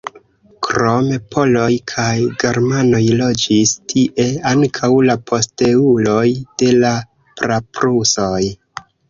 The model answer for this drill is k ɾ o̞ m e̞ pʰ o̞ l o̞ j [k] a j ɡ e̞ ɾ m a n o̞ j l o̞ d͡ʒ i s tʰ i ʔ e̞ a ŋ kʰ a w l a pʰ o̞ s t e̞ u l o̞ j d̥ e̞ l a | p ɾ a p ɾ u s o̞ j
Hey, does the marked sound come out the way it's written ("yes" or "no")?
no